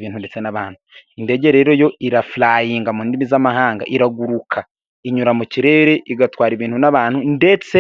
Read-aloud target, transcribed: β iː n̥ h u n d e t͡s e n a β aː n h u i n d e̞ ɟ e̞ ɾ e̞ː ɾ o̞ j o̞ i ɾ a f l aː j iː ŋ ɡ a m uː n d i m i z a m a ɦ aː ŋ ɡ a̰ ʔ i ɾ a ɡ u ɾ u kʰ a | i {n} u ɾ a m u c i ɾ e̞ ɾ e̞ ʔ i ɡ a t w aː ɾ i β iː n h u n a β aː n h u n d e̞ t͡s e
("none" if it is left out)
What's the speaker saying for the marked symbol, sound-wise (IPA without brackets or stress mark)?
ɲ